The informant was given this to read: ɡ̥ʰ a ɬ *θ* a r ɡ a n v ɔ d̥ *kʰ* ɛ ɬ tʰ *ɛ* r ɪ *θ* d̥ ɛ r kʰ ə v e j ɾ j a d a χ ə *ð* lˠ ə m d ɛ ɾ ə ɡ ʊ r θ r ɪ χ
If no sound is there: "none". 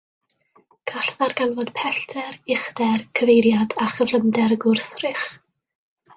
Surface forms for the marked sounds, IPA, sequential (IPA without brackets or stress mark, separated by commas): θ, pʰ, ɛ, χ, v